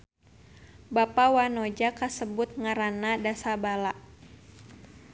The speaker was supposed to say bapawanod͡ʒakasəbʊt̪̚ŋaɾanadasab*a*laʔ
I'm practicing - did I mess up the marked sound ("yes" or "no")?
no